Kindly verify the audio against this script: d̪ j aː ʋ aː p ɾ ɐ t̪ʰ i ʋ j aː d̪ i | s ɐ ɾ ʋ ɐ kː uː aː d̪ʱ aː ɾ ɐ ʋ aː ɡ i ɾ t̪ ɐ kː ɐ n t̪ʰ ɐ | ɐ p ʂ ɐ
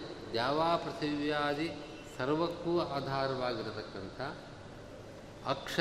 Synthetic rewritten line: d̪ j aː ʋ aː p ɾ ɐ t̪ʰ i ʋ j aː d̪ i | s ɐ ɾ ʋ ɐ kː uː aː d̪ʱ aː ɾ ɐ ʋ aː ɡ i ɾ t̪ ɐ kː ɐ n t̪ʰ ɐ | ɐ k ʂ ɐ